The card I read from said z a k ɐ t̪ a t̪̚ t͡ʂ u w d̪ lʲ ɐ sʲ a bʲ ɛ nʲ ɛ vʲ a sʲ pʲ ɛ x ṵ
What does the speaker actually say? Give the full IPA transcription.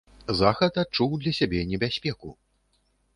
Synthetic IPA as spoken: z a x ɐ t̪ a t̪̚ t͡ʂ u w d̪ lʲ ɐ sʲ a bʲ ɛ nʲ ɛ bʲ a sʲ pʲ ɛ k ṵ